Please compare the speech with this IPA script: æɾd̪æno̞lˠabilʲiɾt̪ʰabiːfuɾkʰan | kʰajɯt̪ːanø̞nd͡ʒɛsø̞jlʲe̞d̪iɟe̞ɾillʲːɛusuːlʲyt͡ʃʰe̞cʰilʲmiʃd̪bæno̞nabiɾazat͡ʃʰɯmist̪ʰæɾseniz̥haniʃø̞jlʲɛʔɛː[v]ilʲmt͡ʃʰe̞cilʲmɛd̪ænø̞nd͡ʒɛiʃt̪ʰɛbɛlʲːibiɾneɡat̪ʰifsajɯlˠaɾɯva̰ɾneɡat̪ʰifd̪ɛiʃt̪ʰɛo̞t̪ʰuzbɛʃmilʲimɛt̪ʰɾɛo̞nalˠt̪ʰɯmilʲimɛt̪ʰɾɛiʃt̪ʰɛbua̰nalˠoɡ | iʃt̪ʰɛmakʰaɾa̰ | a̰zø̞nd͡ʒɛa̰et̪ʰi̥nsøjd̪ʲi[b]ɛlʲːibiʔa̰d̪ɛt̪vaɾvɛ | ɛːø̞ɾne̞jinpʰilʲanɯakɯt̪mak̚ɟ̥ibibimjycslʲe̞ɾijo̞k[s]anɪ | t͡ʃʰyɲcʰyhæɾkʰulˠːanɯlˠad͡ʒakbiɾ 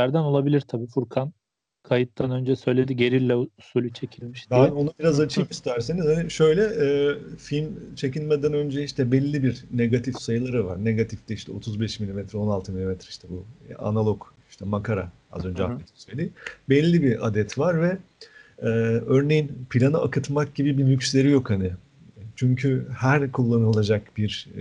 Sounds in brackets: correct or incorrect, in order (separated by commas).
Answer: incorrect, correct, incorrect